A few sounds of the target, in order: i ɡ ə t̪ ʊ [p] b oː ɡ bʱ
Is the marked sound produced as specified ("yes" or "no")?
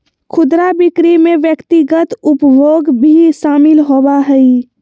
yes